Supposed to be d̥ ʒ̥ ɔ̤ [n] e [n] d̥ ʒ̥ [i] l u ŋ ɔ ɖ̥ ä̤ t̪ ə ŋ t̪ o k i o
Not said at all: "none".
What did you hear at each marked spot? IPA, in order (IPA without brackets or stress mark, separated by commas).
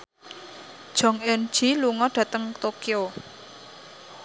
ŋ, n, i